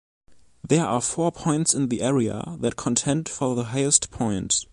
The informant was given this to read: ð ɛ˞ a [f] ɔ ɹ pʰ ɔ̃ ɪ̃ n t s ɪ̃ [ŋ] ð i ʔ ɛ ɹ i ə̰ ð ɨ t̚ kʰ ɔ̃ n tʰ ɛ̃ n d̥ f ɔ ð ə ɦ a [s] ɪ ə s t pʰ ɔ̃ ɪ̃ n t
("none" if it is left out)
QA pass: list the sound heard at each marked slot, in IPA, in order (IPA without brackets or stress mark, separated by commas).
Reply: f, n, none